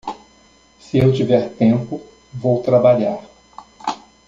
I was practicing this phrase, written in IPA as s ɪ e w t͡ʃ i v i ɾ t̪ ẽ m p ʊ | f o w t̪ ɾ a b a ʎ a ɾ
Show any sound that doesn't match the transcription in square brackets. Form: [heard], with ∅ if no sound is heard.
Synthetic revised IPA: s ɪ e w t͡ʃ i v [ɛ] ɾ t̪ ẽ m p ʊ | [v] o w t̪ ɾ a b a ʎ a ɾ